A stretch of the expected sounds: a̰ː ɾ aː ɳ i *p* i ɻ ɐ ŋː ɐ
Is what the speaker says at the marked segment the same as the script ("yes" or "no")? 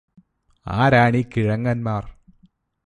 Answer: no